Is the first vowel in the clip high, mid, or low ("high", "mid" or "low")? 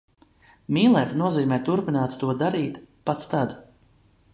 high